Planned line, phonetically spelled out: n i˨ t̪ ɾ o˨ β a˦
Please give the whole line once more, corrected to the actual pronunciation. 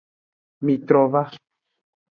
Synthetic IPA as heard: m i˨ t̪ ɾ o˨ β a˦